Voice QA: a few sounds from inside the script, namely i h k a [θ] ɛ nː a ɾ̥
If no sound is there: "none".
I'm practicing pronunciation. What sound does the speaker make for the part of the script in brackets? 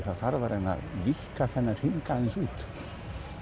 θ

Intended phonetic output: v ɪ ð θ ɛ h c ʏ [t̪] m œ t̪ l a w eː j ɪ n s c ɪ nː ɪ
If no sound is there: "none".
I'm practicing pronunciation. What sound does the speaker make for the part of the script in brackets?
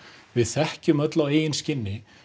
none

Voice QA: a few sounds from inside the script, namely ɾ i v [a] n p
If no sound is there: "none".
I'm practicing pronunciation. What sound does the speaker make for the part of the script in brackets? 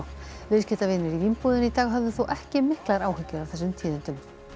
i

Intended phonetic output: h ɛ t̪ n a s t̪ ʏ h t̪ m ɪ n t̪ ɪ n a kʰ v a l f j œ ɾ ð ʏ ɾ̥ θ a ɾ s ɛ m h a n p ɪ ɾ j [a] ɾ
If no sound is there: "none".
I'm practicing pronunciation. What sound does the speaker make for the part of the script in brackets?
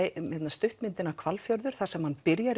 a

